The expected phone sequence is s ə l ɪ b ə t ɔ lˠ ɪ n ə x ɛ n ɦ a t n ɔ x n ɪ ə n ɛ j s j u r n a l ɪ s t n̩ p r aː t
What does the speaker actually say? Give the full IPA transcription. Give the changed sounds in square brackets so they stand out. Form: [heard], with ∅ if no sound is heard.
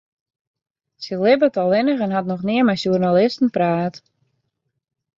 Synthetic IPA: s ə l ɪ b ə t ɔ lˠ ɪ n ə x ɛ n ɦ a t n ɔ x n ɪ ə [m] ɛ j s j u r n a l ɪ s t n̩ p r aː t